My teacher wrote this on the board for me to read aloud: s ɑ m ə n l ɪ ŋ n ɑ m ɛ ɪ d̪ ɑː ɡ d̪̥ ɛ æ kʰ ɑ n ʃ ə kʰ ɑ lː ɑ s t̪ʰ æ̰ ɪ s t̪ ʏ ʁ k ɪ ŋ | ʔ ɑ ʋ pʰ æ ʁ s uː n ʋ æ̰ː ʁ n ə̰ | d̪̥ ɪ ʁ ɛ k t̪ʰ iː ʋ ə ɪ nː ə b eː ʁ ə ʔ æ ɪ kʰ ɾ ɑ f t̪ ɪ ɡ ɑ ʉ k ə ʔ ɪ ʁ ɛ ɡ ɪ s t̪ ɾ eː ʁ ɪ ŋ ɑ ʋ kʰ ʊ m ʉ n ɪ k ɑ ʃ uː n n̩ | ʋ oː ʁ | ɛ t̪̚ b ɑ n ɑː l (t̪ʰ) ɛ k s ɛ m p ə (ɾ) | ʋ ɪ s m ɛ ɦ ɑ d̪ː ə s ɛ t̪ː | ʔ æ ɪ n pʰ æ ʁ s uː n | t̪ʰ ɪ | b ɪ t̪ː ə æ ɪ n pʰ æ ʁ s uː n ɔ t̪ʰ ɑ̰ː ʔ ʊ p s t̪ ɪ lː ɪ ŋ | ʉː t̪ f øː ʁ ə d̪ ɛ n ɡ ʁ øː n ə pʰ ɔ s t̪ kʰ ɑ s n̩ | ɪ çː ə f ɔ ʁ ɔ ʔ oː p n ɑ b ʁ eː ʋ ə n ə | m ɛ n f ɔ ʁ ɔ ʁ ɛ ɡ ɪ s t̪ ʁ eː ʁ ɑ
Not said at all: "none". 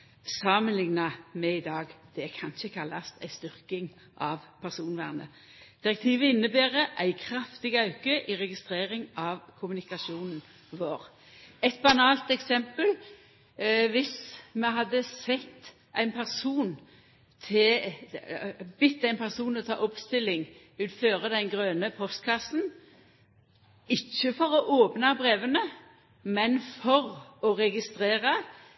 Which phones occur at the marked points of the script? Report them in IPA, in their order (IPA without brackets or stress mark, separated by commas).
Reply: t̪, l